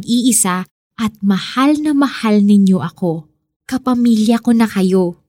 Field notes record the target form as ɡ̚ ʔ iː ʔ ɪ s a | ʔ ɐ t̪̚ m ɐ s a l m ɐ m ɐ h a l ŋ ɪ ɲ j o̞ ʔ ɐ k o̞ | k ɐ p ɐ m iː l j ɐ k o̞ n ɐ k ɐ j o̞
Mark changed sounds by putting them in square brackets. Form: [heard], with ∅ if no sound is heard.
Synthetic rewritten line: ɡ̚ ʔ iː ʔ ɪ s a | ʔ ɐ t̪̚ m ɐ [h] a l [n] ɐ m ɐ h a l [n] ɪ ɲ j o̞ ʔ ɐ k o̞ | k ɐ p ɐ m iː l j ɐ k o̞ n ɐ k ɐ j o̞